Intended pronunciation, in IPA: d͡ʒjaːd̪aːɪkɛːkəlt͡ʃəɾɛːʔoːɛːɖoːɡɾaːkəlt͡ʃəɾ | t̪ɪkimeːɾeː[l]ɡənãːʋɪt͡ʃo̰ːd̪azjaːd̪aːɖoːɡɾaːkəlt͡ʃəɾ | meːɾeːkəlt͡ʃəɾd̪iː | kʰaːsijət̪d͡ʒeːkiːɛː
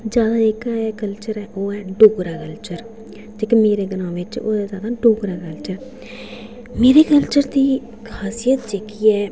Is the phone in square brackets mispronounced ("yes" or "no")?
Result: yes